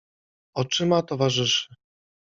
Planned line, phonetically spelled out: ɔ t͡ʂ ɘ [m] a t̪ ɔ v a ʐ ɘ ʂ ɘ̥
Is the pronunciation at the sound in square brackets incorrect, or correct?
correct